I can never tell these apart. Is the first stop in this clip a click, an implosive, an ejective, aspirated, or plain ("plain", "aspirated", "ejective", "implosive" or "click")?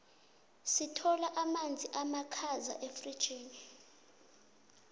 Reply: aspirated